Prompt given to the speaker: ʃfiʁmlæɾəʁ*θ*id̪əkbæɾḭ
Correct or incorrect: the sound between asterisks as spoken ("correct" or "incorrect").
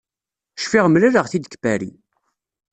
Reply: correct